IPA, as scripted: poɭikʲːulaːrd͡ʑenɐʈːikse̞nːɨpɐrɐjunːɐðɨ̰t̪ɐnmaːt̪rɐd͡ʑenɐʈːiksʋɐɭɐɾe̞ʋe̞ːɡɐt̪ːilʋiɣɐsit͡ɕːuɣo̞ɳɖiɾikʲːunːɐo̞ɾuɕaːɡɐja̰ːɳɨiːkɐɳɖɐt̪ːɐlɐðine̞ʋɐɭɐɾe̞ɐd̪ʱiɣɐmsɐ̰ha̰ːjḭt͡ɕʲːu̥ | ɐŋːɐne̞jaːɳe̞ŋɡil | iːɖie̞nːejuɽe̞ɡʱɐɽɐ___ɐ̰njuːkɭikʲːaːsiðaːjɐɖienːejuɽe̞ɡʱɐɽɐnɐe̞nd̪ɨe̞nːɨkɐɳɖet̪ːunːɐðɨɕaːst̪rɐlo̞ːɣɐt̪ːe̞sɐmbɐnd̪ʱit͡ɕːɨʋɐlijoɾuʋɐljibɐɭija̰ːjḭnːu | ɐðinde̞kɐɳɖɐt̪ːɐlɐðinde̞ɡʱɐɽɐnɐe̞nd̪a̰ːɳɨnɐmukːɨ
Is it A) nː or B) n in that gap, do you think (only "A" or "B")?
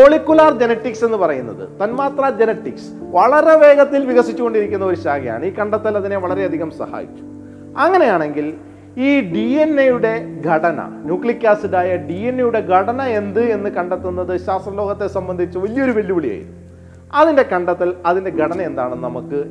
B